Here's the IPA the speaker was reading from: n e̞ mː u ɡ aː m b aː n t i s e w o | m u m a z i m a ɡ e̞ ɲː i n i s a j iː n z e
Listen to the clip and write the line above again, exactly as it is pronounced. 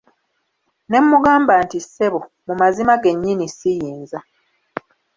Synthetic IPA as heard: n e̞ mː u ɡ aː m b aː n t i s e β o | m u m a z i m a ɡ e̞ ɲː i n i s i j iː n z a